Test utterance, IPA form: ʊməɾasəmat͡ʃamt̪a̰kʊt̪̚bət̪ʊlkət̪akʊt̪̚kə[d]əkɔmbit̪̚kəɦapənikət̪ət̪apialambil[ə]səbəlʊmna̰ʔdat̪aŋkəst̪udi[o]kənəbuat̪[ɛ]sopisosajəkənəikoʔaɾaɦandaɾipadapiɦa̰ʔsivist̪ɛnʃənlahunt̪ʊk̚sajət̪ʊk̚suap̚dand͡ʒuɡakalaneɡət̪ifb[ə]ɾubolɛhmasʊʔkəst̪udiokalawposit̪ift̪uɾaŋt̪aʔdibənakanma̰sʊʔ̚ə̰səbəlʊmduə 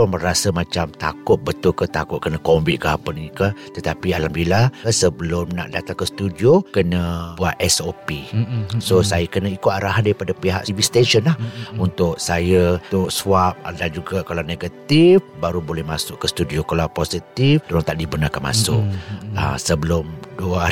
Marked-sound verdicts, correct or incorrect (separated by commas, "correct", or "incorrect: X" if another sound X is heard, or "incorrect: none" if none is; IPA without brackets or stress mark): incorrect: n, incorrect: a, correct, correct, incorrect: a